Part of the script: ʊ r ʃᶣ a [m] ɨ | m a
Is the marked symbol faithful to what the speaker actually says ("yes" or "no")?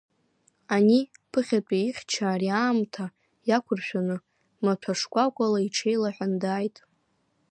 no